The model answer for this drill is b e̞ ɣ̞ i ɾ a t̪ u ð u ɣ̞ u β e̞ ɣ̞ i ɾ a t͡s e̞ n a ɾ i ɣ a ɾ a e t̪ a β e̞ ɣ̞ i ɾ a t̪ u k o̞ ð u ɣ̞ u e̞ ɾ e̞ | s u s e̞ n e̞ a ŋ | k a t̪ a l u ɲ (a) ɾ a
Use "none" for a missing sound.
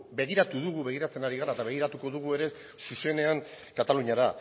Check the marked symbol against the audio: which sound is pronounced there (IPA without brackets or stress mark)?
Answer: a